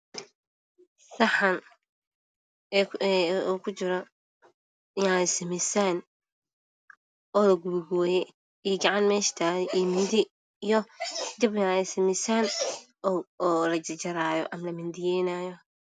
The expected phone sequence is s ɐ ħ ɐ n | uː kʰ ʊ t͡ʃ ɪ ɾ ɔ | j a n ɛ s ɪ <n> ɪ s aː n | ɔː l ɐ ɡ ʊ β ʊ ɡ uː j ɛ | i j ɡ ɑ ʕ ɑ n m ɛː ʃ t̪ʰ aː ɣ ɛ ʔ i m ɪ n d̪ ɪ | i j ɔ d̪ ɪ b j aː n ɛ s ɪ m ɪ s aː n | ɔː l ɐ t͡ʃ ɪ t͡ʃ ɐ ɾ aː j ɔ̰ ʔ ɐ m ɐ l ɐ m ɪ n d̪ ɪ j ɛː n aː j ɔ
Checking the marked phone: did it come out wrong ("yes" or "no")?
yes